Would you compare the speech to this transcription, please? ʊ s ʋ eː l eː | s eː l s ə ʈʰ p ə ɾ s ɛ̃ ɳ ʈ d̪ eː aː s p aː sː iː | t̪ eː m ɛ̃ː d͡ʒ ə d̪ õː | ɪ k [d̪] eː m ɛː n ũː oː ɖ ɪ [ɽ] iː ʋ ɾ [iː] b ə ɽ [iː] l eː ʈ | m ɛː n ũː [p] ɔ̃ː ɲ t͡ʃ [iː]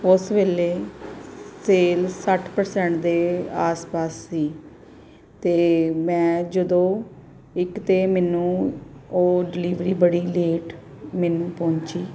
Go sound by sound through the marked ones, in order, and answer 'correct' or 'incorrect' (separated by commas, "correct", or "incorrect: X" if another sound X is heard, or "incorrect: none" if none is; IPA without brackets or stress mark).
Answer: incorrect: t̪, incorrect: l, correct, correct, correct, correct